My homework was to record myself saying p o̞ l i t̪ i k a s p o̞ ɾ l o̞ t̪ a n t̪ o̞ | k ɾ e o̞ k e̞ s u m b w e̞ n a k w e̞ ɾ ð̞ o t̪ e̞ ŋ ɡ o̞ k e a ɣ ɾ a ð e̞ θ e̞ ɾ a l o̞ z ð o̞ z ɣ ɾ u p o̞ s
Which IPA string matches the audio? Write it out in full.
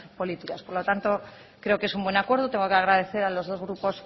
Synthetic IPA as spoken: p o̞ l i t̪ i k a s p o̞ ɾ l o̞ t̪ a n t̪ o̞ | k ɾ e o̞ k e̞ s u m b w e̞ n a k w e̞ ɾ ð̞ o t̪ e̞ ŋ ɡ o̞ k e a ɣ ɾ a ð e̞ θ e̞ ɾ a l o̞ z ð o̞ z ɣ ɾ u p o̞ s